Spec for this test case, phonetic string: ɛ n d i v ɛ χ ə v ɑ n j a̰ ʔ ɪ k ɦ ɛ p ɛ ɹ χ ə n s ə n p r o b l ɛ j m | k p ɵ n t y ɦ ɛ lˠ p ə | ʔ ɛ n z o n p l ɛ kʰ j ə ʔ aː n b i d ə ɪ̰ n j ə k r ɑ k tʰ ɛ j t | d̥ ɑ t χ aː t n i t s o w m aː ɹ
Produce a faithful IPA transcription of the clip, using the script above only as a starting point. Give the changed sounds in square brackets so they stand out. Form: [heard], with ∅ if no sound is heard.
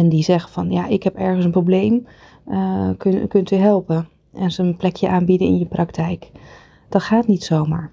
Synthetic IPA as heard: ɛ n d i [z] ɛ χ ə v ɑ n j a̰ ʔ ɪ k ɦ ɛ p ɛ ɹ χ ə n s ə n p r o b l [e] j m | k [k] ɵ n t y ɦ ɛ lˠ p ə | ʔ ɛ n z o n p l ɛ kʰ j ə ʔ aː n b i d ə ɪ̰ n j ə [p] r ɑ k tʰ ɛ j [k] | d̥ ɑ t χ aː t n i t s o w m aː ɹ